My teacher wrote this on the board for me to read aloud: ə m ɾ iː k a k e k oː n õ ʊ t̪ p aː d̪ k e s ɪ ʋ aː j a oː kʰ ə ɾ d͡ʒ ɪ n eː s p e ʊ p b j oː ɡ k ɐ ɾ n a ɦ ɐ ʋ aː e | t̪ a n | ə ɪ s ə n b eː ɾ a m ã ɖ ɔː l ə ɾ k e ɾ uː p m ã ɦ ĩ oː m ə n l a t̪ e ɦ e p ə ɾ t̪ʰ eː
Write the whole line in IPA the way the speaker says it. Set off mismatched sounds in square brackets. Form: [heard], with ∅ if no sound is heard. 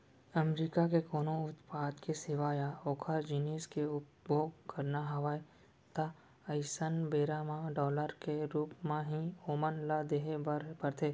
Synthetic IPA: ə m ɾ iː k a k e k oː n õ ʊ t̪ p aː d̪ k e s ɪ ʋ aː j a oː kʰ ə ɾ d͡ʒ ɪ n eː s [k] e ʊ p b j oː ɡ k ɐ ɾ n a ɦ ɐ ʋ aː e | t̪ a [∅] | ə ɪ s ə n b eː ɾ a m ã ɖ ɔː l ə ɾ k e ɾ uː p m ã ɦ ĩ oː m ə n l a [d̪] e ɦ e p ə ɾ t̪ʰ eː